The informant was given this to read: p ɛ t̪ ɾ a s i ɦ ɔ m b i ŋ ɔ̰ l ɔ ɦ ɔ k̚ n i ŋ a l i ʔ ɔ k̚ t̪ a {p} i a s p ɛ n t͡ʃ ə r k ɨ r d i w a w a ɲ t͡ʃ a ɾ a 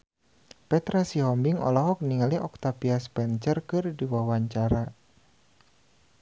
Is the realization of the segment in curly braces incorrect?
no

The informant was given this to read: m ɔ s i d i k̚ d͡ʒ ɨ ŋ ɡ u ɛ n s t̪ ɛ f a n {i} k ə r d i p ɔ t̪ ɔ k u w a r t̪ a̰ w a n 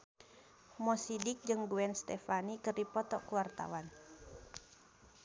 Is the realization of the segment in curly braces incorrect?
no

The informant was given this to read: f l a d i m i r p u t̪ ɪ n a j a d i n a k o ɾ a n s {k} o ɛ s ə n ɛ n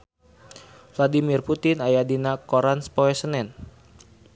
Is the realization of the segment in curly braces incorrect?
yes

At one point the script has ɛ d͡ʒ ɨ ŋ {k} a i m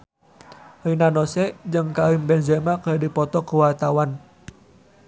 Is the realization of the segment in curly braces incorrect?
no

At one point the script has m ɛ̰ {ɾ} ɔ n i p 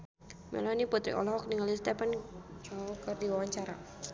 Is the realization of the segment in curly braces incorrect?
yes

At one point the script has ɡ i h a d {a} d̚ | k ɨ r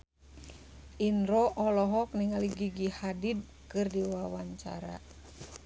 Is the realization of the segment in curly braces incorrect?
yes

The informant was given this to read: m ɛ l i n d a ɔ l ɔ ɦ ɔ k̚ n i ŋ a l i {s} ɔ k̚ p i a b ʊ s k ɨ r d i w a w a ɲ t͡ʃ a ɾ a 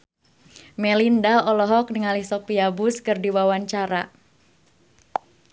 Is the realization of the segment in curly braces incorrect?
no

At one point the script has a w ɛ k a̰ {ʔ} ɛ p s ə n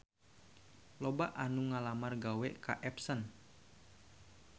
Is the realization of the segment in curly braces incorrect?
no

